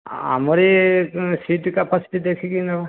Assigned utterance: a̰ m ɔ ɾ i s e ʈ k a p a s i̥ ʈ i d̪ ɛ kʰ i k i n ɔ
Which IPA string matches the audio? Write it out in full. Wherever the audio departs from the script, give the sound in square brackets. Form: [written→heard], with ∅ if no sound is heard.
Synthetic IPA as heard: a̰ m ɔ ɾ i s [e→i] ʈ k a p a s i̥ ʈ i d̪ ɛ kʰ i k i n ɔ